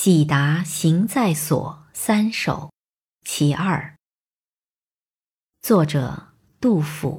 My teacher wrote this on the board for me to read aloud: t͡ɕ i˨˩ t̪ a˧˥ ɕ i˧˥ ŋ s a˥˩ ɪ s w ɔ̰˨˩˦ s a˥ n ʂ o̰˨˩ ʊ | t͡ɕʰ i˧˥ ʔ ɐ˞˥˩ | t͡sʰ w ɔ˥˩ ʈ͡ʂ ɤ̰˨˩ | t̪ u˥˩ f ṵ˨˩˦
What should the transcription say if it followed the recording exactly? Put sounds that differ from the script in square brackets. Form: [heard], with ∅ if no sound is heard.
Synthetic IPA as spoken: t͡ɕ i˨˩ t̪ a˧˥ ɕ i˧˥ ŋ [t͡s] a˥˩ ɪ s w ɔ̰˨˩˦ s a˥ n ʂ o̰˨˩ ʊ | t͡ɕʰ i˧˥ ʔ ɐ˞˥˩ | [t͡s] w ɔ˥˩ ʈ͡ʂ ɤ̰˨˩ | t̪ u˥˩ f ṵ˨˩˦